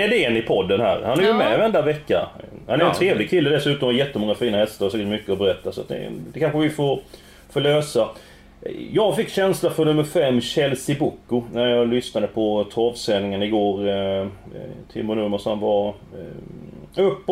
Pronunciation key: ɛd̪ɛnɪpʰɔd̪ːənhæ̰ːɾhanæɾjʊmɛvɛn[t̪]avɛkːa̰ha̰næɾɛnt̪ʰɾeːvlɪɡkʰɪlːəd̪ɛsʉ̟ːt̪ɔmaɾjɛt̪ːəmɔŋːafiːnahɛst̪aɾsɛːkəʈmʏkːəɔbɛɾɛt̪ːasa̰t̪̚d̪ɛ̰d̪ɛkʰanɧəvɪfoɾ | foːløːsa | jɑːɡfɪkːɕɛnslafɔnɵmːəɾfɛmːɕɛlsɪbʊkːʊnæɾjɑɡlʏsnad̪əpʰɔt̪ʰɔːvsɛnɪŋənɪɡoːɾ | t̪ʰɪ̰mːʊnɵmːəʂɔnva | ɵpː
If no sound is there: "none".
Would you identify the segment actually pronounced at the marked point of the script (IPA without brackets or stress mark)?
d̪